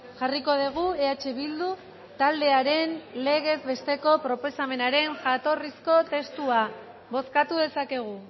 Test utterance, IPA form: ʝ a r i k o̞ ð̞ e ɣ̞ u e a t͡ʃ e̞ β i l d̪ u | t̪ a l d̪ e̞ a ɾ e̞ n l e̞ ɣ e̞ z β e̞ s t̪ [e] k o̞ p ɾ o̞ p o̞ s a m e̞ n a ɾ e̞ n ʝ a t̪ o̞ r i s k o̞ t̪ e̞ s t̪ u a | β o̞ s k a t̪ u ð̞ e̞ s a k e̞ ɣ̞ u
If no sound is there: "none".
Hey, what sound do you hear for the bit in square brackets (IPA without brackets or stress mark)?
e